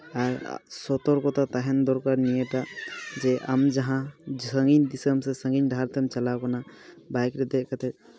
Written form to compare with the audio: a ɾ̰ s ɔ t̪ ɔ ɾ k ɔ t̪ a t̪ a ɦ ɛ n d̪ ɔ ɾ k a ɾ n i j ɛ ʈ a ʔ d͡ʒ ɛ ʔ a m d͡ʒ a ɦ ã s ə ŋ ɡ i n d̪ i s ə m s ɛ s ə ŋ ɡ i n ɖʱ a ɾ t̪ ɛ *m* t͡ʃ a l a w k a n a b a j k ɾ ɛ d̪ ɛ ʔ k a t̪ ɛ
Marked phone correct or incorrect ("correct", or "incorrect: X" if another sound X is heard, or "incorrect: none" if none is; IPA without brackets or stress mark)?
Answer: correct